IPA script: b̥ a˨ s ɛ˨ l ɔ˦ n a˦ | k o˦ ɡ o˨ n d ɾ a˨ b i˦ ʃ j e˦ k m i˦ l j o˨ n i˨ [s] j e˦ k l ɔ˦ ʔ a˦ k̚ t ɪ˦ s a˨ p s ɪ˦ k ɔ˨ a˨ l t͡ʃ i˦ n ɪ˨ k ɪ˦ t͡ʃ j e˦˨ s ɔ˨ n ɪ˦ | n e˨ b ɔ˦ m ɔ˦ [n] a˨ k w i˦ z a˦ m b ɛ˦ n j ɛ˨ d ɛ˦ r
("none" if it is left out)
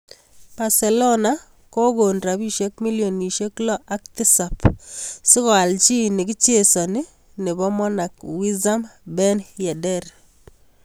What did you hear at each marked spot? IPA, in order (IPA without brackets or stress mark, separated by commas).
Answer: ʃ, n